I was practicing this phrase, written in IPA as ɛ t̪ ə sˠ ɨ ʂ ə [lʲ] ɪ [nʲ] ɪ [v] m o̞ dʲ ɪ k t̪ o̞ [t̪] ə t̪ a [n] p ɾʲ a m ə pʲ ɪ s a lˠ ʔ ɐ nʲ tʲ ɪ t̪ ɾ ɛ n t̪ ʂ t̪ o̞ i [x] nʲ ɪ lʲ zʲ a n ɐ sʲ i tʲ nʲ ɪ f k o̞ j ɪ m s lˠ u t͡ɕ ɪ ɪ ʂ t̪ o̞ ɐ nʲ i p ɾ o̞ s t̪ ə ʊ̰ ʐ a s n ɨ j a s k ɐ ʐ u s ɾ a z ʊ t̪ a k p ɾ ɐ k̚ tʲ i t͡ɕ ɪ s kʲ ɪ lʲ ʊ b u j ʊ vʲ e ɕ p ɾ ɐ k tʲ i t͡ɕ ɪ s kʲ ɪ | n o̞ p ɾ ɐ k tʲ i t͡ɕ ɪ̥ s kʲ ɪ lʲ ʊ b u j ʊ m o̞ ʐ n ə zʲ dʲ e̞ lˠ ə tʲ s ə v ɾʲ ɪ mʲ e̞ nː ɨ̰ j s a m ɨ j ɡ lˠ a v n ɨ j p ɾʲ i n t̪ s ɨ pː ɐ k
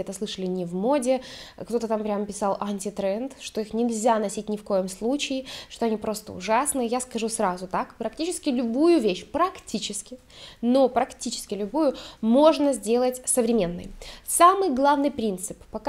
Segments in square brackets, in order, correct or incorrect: correct, correct, correct, correct, incorrect: m, correct

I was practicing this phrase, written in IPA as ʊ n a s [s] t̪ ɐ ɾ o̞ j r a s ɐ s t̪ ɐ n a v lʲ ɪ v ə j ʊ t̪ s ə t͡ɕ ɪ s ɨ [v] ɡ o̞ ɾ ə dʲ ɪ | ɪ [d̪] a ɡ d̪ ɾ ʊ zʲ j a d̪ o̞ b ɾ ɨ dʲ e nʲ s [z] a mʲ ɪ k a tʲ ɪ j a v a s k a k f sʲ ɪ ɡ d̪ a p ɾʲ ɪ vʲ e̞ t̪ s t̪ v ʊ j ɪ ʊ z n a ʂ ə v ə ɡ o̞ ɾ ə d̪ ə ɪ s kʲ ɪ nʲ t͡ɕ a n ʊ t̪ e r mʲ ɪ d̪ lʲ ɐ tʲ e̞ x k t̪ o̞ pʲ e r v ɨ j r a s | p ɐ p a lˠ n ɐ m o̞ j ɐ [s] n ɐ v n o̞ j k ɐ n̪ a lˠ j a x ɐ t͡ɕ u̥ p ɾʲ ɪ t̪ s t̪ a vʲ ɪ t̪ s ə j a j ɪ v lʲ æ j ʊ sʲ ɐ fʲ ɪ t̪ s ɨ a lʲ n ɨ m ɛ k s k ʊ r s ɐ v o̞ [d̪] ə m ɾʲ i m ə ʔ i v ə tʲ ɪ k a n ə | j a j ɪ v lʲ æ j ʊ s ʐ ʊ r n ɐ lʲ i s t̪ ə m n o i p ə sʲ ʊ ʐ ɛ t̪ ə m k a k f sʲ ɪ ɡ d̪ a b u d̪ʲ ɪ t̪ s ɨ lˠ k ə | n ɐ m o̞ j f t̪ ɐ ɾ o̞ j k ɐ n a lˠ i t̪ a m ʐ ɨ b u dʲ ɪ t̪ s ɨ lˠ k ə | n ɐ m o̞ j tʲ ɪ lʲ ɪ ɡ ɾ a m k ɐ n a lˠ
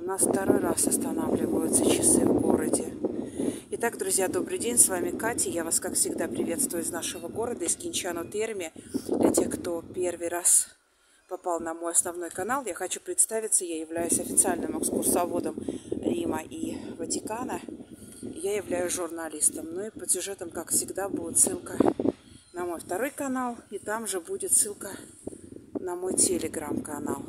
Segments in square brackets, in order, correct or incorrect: incorrect: f, correct, incorrect: t̪, incorrect: v, correct, correct

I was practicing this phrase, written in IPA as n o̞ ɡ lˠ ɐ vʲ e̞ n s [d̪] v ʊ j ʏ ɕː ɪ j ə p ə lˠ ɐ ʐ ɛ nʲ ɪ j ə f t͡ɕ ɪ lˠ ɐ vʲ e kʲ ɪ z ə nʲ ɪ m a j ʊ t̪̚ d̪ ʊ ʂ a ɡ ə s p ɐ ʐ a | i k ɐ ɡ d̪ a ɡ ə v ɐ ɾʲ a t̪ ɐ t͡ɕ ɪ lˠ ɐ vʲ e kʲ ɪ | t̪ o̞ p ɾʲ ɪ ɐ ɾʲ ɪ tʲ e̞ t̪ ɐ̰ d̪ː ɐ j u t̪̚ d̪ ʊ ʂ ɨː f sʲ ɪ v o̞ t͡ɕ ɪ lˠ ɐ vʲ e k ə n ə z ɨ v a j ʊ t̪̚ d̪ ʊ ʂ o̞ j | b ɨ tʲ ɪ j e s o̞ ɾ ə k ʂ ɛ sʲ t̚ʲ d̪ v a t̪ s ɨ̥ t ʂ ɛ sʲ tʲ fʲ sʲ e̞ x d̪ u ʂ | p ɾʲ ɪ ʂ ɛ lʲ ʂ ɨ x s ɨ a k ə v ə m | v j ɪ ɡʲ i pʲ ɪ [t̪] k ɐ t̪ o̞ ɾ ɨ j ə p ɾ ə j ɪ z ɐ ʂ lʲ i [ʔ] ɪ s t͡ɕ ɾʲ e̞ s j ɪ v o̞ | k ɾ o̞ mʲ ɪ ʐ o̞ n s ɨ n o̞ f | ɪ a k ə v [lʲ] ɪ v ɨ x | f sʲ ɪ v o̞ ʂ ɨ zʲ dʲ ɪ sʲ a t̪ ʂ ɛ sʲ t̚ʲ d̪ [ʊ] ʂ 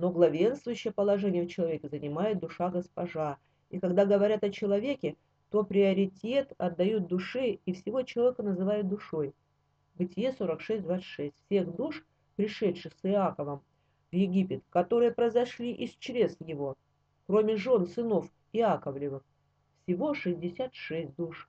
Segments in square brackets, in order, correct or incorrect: incorrect: t̪, correct, correct, correct, incorrect: u

